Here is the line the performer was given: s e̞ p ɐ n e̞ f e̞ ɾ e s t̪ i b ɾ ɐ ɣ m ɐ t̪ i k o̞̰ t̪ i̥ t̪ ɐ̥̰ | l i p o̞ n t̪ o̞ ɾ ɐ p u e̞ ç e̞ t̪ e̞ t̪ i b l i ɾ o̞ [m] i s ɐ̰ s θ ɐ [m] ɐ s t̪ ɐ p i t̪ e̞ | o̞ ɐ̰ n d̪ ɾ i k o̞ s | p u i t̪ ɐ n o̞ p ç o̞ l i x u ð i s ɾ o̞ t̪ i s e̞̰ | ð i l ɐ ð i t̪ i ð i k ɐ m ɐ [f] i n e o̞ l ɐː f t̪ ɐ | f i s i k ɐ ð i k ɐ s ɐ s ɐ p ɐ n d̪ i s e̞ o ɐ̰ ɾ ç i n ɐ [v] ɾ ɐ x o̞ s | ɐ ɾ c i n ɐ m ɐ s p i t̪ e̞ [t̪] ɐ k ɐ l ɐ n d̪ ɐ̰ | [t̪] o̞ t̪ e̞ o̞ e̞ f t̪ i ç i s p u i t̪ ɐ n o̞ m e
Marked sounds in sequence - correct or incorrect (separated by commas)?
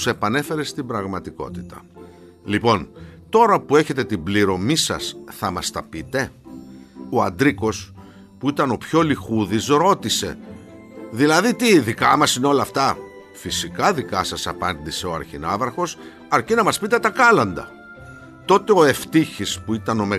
correct, correct, incorrect, correct, correct, correct